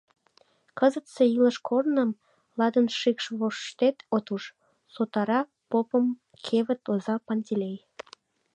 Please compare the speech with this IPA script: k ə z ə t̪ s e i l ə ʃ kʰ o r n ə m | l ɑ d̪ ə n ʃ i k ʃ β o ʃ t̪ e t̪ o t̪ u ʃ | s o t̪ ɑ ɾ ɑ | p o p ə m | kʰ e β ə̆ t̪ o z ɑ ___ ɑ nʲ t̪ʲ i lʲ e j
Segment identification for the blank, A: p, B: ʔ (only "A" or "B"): A